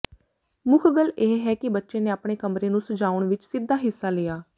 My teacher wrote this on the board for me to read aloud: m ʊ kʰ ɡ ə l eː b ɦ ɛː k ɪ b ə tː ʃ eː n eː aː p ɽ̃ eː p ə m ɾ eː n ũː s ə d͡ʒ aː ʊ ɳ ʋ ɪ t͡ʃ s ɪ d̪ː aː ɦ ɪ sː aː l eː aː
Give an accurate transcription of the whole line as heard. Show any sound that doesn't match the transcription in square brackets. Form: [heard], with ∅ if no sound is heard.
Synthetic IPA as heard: m ʊ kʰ ɡ ə l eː [∅] ɦ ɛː k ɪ b ə tː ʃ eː n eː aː p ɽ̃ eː [k] ə m ɾ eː n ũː s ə d͡ʒ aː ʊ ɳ ʋ ɪ t͡ʃ s ɪ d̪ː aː ɦ ɪ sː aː l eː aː